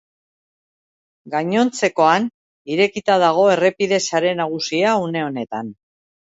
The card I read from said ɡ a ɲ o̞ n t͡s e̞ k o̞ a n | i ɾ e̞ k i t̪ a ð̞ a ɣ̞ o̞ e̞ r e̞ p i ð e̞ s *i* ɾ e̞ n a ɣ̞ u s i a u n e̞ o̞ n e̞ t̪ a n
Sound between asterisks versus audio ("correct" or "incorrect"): incorrect